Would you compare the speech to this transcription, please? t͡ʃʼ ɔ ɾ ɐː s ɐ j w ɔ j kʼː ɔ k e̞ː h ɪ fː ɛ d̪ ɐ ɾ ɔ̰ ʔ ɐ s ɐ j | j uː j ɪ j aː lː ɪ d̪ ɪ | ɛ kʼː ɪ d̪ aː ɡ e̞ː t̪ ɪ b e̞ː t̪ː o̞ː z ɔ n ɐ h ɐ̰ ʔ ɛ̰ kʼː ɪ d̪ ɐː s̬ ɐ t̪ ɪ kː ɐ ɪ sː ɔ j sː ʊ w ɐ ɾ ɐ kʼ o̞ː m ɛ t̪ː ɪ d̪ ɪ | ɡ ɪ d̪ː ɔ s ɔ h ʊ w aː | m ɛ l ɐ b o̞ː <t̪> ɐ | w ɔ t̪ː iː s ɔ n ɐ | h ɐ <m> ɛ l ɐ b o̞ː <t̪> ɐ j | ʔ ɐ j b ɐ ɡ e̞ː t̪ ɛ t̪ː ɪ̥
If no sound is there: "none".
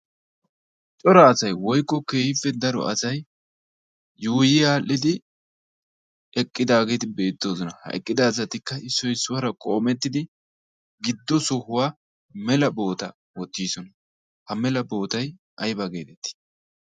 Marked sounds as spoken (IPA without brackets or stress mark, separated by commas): t̪, m, t̪